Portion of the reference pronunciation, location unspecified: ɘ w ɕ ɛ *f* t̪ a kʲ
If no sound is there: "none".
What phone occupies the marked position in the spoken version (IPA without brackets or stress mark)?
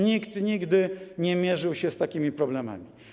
s